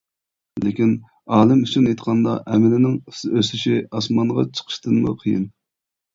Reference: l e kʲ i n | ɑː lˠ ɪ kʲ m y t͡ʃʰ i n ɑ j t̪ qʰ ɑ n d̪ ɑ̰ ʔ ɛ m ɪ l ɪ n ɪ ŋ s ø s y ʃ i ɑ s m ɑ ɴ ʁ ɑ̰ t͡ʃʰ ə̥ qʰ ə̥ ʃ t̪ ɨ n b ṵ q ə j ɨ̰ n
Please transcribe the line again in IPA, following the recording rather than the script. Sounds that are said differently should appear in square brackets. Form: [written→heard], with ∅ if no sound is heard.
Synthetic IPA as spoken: l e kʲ i n | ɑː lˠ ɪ [kʲ→∅] m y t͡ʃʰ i n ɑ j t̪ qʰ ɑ n d̪ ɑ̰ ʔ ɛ m ɪ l ɪ n ɪ ŋ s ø s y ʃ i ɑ s m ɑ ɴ ʁ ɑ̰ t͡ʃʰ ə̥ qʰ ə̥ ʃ t̪ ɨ n [b→m] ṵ [q→qʰ] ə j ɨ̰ n